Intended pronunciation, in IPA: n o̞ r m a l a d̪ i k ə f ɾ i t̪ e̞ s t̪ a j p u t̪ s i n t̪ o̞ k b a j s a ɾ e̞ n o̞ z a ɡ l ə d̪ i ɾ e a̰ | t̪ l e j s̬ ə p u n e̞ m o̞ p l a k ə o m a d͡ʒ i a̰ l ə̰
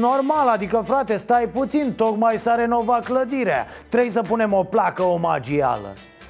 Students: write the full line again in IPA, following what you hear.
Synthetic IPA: n o̞ r m a l a d̪ i k ə f ɾ a t̪ e̞ s t̪ a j p u t̪ s i n t̪ o̞ k m a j s a ɾ e̞ n o̞ v a k l ə d̪ i ɾ e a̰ | t̪ ɾ e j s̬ ə p u n e̞ m o̞ p l a k ə o m a d͡ʒ i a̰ l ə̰